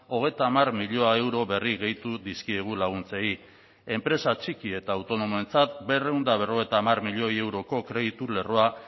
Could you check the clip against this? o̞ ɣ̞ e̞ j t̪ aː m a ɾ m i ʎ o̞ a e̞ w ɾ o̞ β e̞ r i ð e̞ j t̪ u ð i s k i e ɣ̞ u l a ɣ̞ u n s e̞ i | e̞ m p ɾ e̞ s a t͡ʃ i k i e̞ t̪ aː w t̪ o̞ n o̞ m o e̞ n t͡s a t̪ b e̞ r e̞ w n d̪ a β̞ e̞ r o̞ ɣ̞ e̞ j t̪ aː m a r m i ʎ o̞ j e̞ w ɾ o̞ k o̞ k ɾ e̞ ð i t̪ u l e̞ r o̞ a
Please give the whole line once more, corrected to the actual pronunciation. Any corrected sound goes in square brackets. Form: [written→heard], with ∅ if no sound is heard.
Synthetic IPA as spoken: o̞ ɣ̞ e̞ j t̪ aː m a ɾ m i ʎ o̞ a e̞ w ɾ o̞ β e̞ r i [ð→ɣ] e̞ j t̪ u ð i s k i e ɣ̞ u l a ɣ̞ u n [s→t͡s] e̞ i | e̞ m p ɾ e̞ s a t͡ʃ i k i e̞ t̪ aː w t̪ o̞ n o̞ m o e̞ n t͡s a t̪ b e̞ r e̞ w n d̪ a β̞ e̞ r o̞ ɣ̞ e̞ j t̪ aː m a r m i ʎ o̞ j e̞ w ɾ o̞ k o̞ k ɾ e̞ ð i t̪ u l e̞ r o̞ a